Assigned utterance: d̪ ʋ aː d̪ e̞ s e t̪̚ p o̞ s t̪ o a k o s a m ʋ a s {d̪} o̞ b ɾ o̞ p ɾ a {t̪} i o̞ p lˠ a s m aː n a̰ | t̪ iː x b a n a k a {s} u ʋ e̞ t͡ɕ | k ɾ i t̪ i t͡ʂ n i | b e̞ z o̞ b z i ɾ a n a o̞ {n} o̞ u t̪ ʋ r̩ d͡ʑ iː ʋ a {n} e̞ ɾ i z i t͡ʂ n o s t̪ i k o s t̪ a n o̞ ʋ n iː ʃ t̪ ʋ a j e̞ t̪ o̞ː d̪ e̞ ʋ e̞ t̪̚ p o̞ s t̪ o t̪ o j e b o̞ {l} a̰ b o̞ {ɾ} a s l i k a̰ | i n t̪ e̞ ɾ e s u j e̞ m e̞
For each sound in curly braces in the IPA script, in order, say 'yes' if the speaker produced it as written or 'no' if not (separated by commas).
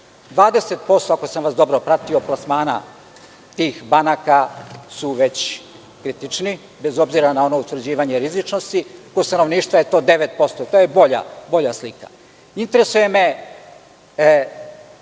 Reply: yes, yes, yes, yes, no, no, no